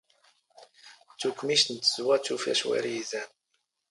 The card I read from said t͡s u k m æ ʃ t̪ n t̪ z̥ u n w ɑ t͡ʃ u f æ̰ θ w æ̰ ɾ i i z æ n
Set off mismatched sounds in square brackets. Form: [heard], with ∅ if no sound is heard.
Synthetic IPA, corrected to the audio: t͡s u k m [i] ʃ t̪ n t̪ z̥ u [∅] w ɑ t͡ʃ u f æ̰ [ʃ] w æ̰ ɾ i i z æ n